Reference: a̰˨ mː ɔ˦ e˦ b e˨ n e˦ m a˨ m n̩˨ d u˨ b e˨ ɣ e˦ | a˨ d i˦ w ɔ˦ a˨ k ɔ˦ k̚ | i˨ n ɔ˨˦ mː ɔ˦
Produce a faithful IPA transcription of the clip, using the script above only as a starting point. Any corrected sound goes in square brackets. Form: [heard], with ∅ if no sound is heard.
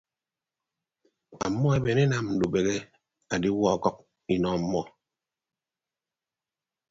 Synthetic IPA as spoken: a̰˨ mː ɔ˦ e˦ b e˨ n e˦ [n] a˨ m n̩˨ d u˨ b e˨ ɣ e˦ | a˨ d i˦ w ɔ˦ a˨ k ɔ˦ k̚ | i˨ n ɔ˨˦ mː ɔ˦